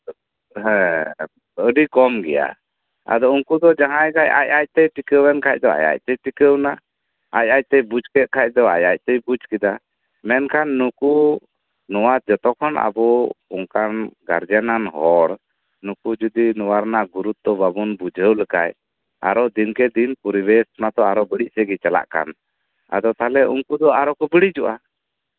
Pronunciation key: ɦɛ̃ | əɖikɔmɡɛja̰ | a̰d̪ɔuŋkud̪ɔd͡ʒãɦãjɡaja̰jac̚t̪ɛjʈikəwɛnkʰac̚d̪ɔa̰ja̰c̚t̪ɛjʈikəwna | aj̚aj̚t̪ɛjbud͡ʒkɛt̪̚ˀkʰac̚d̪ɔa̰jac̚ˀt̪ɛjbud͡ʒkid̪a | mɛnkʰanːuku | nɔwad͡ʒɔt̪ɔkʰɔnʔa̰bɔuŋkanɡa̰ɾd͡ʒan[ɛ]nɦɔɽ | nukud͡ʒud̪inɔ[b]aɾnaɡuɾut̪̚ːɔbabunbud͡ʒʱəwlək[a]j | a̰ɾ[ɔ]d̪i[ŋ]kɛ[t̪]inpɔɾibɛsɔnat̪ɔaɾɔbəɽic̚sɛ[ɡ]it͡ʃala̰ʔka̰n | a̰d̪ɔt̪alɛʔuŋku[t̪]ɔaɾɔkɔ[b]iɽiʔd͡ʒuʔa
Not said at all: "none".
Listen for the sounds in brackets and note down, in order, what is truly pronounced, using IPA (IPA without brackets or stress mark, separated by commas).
a, w, a, ɔ, n, d̪, ɡ, d̪, b